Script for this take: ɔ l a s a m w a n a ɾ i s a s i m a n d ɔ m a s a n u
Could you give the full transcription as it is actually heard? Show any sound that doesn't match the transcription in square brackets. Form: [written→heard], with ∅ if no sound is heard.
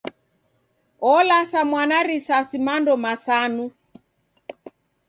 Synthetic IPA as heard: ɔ l a s a m w a n a ɾ i s a s i m a n d ɔ m a s a n u

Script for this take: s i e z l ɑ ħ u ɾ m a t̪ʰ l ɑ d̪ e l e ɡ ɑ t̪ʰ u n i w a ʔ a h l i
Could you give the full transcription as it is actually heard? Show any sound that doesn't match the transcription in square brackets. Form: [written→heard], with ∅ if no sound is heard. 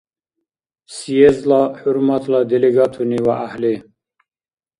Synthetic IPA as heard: s i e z l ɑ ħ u ɾ m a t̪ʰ l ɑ d̪ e l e ɡ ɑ t̪ʰ u n i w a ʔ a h l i

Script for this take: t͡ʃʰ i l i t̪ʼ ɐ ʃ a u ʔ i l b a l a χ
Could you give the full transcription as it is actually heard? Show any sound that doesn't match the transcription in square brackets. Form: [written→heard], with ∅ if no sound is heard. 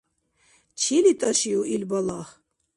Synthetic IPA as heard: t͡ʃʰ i l i t̪ʼ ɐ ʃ [a→i] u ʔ i l b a l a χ

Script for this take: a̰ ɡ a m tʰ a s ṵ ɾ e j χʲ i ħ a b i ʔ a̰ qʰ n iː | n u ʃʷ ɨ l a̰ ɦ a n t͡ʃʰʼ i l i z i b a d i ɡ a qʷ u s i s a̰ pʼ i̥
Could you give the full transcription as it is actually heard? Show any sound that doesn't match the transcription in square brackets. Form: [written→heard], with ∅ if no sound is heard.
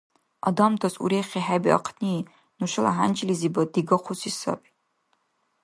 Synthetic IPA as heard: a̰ [ɡ→d] a m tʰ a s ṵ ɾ e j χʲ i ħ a b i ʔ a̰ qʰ n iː | n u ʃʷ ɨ l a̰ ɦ a n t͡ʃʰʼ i l i z i b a d i ɡ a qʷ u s i s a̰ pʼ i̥

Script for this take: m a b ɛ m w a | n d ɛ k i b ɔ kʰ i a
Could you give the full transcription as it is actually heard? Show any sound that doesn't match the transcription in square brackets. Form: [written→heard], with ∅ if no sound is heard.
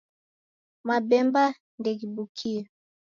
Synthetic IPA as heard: m a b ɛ m [w→b] a | n d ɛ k i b [ɔ→u] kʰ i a

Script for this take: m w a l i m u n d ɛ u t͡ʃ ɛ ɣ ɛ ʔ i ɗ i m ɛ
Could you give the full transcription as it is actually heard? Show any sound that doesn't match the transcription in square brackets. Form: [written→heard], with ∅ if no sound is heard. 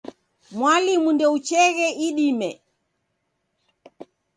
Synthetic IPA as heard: m w a l i m u n d ɛ u t͡ʃ ɛ ɣ ɛ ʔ i ɗ i m ɛ

